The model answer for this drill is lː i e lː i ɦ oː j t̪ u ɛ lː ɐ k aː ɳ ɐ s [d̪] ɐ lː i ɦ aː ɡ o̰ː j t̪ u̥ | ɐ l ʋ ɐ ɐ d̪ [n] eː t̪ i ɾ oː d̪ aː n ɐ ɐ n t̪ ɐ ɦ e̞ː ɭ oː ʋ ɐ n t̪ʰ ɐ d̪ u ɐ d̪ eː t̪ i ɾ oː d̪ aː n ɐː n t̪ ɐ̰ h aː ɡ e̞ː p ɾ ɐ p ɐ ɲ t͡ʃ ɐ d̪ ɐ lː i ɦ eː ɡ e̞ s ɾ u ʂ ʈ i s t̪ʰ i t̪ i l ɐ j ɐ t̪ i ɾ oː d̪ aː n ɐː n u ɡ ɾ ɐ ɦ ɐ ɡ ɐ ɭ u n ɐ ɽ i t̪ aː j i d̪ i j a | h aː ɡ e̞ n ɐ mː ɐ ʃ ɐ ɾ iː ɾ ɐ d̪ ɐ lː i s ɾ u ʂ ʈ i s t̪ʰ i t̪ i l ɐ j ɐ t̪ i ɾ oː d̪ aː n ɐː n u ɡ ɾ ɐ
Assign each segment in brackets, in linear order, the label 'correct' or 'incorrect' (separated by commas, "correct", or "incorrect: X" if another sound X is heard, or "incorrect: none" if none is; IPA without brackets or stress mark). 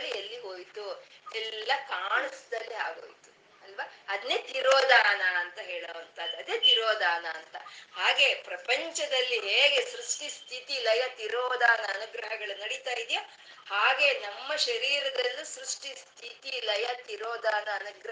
correct, correct